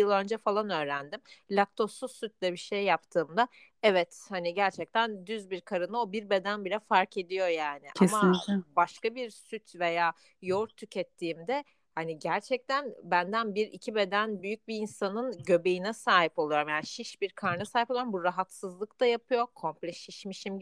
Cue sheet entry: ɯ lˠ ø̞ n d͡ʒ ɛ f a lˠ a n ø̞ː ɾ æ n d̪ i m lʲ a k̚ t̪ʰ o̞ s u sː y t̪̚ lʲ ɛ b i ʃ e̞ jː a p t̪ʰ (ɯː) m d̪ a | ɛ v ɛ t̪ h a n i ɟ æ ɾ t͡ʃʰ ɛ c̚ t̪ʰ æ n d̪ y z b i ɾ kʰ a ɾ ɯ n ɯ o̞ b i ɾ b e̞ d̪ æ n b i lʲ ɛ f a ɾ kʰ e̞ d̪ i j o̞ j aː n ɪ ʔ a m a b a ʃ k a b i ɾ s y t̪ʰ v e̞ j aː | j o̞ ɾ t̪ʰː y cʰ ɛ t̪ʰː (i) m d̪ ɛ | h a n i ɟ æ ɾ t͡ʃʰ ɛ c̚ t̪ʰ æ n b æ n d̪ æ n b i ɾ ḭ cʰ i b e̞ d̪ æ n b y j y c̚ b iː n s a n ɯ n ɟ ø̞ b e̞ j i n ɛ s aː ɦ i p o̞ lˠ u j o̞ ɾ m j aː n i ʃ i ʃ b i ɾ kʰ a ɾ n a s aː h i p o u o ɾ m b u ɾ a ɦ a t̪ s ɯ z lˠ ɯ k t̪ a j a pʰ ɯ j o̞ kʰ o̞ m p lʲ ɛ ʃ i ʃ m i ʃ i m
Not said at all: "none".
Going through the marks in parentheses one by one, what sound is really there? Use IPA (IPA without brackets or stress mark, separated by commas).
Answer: ɯː, iː